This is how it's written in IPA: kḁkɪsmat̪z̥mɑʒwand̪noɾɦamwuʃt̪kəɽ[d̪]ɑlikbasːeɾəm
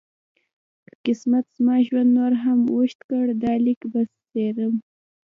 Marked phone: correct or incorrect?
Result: correct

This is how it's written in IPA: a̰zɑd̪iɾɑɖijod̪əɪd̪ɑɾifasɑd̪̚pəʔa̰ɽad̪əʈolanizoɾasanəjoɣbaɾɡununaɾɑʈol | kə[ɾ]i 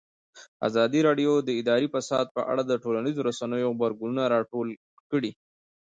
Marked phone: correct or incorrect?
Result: incorrect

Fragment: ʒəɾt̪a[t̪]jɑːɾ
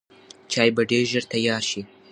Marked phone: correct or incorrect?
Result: incorrect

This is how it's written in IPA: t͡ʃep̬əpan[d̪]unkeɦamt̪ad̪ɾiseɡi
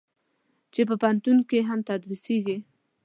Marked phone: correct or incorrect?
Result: incorrect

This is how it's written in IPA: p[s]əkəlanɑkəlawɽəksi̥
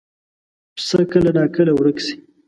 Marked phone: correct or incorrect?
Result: correct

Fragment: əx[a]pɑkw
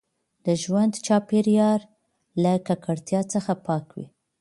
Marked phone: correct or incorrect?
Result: correct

